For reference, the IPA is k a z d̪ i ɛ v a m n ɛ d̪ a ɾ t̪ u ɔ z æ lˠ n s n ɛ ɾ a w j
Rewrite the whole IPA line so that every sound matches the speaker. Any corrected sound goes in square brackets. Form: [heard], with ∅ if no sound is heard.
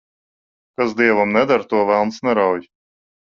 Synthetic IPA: k a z d̪ i ɛ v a m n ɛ d̪ a ɾ t̪ u ɔ [v] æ lˠ n s n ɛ ɾ a w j